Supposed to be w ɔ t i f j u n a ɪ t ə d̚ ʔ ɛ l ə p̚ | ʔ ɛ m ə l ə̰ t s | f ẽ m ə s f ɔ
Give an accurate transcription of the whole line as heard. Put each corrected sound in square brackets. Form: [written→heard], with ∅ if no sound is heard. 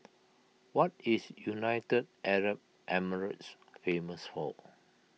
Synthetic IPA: w ɔ t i [f→s] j u n a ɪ t ə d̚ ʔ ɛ [l→ɹ] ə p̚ | ʔ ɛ m ə [l→ɹ] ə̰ t s | f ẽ m ə s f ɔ